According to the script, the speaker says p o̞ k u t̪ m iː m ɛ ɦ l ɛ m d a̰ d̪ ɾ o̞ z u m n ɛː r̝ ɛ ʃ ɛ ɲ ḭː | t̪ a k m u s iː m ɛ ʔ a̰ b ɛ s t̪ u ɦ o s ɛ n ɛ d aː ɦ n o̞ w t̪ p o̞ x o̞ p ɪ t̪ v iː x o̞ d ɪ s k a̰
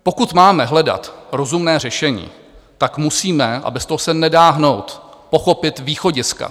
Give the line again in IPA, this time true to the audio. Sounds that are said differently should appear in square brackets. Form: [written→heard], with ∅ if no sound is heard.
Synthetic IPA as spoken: p o̞ k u t̪ m [iː→aː] m ɛ ɦ l ɛ [m→∅] d a̰ [d̪→t̪] ɾ o̞ z u m n ɛː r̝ ɛ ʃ ɛ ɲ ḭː | t̪ a k m u s iː m ɛ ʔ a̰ b ɛ s t̪ [u→o] ɦ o s ɛ n ɛ d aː ɦ n o̞ w t̪ p o̞ x o̞ p ɪ t̪ v iː x o̞ [d→ɟ] ɪ s k a̰

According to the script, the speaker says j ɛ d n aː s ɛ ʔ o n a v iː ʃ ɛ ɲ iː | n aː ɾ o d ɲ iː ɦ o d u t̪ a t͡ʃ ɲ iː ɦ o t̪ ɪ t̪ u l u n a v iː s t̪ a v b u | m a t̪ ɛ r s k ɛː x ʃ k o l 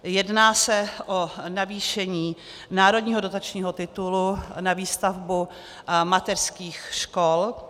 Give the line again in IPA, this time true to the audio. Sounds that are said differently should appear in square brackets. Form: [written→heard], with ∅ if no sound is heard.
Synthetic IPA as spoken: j ɛ d n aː s ɛ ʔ o n a v iː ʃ ɛ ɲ iː | n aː ɾ o d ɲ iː ɦ o d [u→o] t̪ a t͡ʃ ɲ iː ɦ o t̪ ɪ t̪ u l u n a v iː s t̪ a v b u | m a t̪ ɛ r s k [ɛː→iː] x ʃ k o l

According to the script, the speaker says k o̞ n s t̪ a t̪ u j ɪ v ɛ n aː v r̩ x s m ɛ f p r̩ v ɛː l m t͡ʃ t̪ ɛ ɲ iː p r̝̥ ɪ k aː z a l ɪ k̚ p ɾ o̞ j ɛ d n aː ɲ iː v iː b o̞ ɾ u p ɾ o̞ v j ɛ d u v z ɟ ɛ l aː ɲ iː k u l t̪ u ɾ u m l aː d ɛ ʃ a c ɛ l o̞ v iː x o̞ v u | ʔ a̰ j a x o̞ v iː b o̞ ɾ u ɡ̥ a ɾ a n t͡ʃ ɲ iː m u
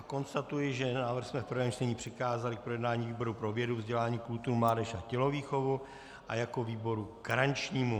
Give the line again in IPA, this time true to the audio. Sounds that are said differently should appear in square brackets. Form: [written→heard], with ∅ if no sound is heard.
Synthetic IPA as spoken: k o̞ n s t̪ a t̪ u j ɪ [v→ʒ] ɛ n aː v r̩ x s m ɛ f p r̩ v ɛː [l→∅] m t͡ʃ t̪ ɛ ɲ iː p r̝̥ ɪ k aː z a l ɪ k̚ p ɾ o̞ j ɛ d n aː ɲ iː v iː b o̞ ɾ u p ɾ o̞ v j ɛ d u v z ɟ ɛ l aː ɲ iː k u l t̪ u ɾ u m l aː d ɛ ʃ a c ɛ l o̞ v iː x o̞ v u | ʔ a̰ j a [x→k] o̞ v iː b o̞ ɾ u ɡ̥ a ɾ a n t͡ʃ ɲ iː m u

